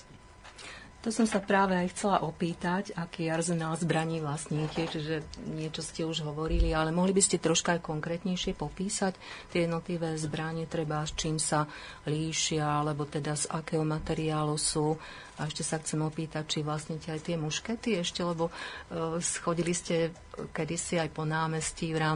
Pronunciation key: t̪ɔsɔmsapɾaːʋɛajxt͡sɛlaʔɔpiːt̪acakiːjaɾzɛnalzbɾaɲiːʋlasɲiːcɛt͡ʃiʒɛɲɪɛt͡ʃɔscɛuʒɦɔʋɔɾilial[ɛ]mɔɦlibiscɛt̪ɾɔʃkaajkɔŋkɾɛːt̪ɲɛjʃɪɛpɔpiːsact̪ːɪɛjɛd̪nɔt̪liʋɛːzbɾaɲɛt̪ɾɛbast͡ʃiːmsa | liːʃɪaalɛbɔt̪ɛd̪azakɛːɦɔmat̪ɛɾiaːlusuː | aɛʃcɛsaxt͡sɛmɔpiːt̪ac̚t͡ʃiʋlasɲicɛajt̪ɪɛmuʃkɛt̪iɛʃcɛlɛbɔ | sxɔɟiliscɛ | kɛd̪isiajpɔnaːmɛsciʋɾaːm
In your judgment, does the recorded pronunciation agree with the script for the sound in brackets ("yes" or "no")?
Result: yes